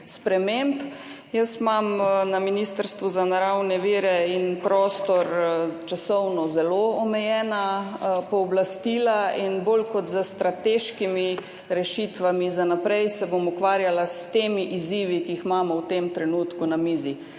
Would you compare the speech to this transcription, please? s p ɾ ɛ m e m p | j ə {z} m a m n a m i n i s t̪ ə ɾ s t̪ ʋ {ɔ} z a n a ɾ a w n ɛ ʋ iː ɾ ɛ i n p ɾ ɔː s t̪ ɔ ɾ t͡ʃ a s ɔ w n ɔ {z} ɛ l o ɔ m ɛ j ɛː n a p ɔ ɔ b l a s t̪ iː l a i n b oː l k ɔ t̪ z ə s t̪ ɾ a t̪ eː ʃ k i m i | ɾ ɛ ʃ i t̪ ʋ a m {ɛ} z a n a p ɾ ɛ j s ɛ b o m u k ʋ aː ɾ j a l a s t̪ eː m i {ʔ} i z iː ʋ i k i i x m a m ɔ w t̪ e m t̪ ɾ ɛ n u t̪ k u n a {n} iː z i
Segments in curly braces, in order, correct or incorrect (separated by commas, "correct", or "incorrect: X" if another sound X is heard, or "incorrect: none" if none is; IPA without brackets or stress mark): incorrect: s, incorrect: u, correct, incorrect: i, correct, incorrect: m